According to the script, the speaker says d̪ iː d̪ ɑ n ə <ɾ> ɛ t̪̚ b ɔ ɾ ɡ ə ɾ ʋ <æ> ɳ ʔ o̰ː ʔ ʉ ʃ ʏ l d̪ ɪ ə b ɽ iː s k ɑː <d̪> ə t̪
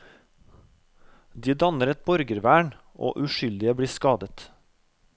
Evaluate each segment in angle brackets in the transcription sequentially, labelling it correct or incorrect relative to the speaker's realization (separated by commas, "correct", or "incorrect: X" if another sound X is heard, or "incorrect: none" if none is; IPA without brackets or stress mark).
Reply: correct, incorrect: æː, correct